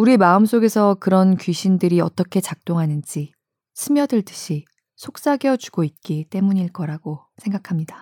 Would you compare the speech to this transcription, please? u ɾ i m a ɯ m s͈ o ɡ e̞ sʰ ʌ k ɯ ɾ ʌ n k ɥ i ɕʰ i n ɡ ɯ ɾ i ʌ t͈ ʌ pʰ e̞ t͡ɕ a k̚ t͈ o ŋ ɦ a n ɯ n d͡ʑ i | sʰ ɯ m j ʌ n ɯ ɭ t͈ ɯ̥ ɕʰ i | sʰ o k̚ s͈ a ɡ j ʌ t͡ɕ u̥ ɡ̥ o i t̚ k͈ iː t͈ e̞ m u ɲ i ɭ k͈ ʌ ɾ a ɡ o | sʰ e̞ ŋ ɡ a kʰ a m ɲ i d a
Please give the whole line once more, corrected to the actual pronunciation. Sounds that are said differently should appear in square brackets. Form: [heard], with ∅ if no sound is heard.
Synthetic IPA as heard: u ɾ i m a ɯ m s͈ o ɡ e̞ sʰ ʌ k ɯ ɾ ʌ n k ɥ i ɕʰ i n [d] ɯ ɾ i ʌ t͈ ʌ [kʰ] e̞ t͡ɕ a k̚ t͈ o ŋ ɦ a n ɯ n d͡ʑ i | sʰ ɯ m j ʌ [d] ɯ ɭ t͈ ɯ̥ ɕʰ i | sʰ o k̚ s͈ a ɡ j ʌ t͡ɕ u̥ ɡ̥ o i t̚ k͈ [i] t͈ e̞ m u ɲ i ɭ k͈ ʌ ɾ a ɡ o | sʰ e̞ ŋ ɡ a kʰ a m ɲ i d a